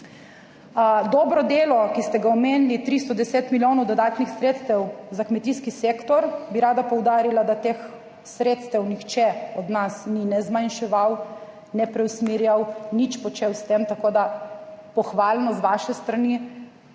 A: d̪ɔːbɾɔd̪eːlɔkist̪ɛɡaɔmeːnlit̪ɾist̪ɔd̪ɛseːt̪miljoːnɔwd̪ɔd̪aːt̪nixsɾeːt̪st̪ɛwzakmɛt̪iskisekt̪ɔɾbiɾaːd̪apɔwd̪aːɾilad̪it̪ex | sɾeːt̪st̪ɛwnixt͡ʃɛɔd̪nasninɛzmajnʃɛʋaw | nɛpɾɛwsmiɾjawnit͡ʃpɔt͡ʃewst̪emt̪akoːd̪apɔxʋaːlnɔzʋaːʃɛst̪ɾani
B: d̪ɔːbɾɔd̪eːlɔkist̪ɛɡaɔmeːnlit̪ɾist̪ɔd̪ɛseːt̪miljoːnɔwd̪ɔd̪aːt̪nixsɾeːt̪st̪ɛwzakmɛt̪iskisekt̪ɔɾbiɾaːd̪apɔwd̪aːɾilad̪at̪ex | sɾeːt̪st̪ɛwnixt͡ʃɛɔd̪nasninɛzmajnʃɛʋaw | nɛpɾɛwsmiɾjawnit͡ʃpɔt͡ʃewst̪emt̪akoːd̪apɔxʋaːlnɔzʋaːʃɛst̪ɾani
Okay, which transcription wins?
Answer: B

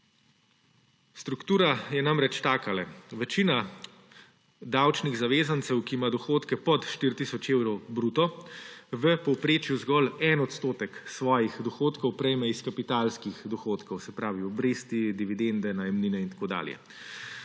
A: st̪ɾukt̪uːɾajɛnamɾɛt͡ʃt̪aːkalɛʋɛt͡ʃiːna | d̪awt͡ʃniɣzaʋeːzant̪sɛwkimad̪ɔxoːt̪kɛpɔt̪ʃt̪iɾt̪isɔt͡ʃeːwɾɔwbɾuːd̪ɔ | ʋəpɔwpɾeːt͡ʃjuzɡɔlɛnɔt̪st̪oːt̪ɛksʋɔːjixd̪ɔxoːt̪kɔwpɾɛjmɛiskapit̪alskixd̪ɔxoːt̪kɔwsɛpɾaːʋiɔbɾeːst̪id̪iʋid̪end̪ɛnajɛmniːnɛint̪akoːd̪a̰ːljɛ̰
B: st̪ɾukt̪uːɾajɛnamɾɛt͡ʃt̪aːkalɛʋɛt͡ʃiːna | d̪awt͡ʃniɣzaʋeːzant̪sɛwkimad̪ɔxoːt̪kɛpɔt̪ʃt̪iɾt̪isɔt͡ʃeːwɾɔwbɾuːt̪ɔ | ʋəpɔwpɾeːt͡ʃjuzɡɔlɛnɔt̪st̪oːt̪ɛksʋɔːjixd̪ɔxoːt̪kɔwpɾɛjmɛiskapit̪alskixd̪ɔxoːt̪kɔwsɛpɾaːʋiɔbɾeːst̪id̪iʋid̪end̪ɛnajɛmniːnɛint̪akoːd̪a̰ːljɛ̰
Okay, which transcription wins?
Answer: B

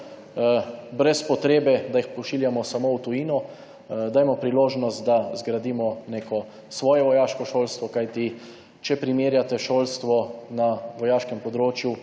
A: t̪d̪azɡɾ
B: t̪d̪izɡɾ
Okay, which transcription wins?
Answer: A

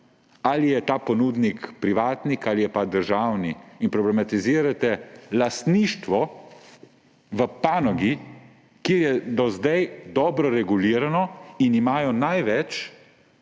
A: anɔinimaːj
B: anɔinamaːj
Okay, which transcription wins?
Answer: A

